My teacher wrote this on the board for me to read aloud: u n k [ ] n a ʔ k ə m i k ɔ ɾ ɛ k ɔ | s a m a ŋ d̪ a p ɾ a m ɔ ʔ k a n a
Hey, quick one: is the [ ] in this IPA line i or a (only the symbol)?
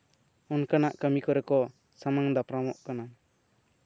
a